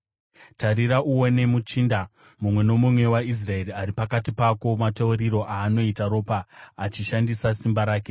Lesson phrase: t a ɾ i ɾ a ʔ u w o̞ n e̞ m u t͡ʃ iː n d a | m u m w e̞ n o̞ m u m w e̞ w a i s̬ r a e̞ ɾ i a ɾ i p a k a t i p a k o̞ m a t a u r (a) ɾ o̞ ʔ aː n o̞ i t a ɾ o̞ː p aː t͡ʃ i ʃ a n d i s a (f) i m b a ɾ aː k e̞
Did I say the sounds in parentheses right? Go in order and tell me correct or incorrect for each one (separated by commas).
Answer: incorrect, incorrect